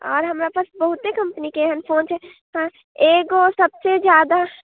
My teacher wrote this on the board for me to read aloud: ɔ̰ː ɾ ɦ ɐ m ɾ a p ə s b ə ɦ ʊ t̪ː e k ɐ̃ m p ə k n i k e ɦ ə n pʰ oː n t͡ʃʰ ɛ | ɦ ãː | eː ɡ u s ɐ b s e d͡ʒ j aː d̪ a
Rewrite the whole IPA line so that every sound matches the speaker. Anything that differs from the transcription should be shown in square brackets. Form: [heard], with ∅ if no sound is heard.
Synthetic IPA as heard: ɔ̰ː ɾ ɦ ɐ m ɾ a p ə s b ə ɦ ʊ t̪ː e k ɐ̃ m p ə [∅] n i k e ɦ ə n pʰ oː n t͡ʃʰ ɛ | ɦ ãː | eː ɡ [o] s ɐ b s e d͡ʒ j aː d̪ a